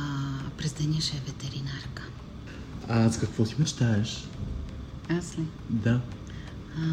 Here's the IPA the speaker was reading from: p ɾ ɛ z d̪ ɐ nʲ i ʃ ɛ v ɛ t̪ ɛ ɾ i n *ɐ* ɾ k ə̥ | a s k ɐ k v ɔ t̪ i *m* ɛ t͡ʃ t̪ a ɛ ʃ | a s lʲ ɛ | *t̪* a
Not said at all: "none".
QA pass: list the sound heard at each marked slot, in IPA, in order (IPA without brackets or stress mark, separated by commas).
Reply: a, m, d̪